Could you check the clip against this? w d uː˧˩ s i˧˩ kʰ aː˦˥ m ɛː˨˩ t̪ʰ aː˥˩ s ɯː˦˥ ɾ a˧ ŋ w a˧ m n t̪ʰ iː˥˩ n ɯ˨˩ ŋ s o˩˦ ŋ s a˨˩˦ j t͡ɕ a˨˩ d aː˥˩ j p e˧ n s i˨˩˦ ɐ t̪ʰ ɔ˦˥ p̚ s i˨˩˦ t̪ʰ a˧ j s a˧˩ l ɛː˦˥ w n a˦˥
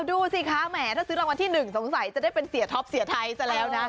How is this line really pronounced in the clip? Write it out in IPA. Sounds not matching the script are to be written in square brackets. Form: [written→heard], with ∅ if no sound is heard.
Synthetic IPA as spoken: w d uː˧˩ s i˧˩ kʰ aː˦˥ m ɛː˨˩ t̪ʰ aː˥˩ s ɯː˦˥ ɾ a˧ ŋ w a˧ [m→∅] n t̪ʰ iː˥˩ n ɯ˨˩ ŋ s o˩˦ ŋ s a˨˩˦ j t͡ɕ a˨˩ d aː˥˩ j p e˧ n s i˨˩˦ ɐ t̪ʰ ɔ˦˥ p̚ s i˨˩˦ t̪ʰ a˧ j s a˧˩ l ɛː˦˥ w n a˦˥